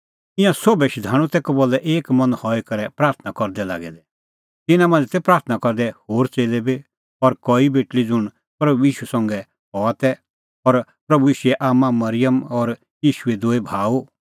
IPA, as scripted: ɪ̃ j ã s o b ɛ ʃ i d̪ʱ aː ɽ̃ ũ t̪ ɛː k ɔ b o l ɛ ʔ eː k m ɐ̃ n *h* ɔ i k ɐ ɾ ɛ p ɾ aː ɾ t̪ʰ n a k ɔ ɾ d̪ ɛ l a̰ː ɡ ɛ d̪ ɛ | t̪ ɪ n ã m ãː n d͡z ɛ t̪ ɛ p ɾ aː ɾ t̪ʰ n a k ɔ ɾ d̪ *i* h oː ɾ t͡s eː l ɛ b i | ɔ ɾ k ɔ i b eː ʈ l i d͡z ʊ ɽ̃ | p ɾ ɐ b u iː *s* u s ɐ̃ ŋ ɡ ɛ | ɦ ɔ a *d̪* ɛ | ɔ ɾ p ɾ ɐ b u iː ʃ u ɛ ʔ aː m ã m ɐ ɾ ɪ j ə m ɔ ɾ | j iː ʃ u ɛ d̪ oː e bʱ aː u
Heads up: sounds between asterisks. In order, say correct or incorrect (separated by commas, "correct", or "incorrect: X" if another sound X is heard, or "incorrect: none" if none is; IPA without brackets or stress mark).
correct, incorrect: ɛ, incorrect: ʃ, incorrect: t̪